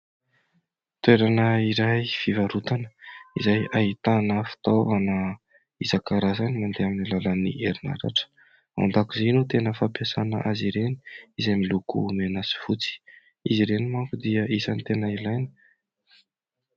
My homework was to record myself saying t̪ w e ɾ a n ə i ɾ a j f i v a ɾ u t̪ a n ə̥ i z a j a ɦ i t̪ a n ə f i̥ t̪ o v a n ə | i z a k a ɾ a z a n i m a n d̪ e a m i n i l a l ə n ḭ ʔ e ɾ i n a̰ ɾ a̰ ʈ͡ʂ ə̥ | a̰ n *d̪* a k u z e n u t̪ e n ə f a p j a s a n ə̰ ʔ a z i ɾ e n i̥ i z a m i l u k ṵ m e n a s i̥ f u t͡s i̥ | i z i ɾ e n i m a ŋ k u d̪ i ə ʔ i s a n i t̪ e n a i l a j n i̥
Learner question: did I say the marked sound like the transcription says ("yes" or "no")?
yes